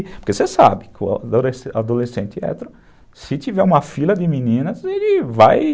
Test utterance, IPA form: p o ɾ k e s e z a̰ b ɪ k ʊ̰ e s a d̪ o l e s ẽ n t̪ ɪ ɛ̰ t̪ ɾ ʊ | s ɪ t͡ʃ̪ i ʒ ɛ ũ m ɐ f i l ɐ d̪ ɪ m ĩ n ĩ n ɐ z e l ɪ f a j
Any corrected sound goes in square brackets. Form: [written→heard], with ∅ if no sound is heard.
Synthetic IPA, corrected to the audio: p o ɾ k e s e [z→s] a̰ b ɪ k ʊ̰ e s a d̪ o l e s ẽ n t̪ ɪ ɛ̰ t̪ ɾ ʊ | s ɪ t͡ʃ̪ i [ʒ→v] ɛ ũ m ɐ f i l ɐ d̪ ɪ m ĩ n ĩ n ɐ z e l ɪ [f→v] a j